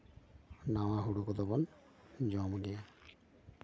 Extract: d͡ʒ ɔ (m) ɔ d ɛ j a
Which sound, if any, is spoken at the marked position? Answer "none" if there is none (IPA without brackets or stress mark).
m